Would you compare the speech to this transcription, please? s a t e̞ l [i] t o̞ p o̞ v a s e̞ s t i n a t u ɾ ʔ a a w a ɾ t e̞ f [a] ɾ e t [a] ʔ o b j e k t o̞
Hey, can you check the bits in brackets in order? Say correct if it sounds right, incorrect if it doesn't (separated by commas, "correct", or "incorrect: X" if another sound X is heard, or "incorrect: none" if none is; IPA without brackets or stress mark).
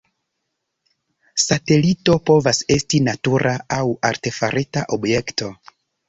correct, correct, correct